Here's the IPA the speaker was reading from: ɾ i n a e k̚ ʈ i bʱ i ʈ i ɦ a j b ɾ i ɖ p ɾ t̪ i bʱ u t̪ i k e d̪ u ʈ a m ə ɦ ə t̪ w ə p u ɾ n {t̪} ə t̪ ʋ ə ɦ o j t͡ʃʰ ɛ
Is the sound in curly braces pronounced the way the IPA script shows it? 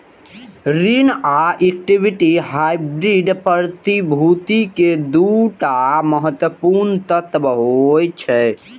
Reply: yes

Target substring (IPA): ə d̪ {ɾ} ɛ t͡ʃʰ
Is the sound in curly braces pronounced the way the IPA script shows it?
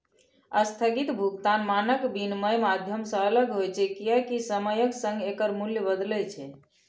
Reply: no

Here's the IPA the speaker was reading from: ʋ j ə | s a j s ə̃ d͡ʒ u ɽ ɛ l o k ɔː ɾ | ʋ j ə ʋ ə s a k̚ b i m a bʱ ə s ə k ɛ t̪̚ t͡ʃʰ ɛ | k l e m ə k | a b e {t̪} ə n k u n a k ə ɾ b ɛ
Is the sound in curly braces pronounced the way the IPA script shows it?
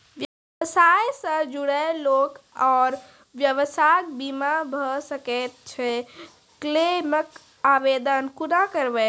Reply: no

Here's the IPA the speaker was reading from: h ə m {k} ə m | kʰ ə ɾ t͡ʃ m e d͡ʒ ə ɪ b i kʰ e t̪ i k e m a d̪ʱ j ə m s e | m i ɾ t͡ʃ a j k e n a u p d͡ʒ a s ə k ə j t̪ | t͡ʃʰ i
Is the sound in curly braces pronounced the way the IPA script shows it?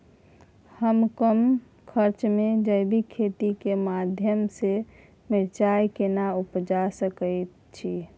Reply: yes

